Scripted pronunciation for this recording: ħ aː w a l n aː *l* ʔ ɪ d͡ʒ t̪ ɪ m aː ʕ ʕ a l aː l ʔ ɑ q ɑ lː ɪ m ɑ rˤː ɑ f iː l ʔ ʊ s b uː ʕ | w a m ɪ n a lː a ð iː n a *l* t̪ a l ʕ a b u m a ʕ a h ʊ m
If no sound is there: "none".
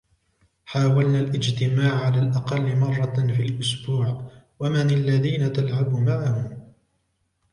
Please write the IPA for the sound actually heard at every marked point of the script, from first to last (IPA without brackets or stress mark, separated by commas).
l, none